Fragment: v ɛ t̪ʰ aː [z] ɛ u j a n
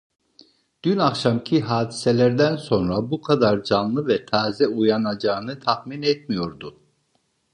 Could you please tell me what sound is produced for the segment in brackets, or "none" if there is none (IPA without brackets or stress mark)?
z